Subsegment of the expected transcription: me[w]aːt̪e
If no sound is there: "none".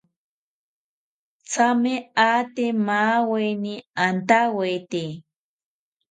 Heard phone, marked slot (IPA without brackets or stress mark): none